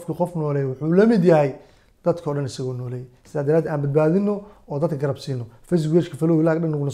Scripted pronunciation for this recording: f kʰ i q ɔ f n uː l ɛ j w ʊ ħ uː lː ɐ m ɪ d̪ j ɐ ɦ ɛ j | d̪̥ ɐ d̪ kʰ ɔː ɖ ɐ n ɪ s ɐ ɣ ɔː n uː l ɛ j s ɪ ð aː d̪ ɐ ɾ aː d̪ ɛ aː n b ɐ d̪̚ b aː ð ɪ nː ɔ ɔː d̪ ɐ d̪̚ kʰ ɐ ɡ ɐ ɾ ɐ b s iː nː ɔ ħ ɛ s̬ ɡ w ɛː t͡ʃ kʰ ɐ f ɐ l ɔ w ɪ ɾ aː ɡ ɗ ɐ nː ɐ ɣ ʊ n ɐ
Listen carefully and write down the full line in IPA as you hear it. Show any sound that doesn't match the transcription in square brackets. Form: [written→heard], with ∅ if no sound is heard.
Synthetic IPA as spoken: f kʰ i q ɔ f n [uː→ɔː] l ɛ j w ʊ ħ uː [lː→l] ɐ m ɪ d̪ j ɐ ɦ ɛ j | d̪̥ ɐ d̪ kʰ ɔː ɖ ɐ n ɪ s ɐ ɣ ɔː n [uː→ɔː] l ɛ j s ɪ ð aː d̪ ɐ ɾ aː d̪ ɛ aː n b ɐ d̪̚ b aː ð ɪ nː ɔ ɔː d̪ ɐ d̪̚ kʰ ɐ ɡ ɐ ɾ ɐ b s iː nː ɔ [ħ→f] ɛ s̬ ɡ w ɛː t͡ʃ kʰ ɐ f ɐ l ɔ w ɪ [ɾ→l] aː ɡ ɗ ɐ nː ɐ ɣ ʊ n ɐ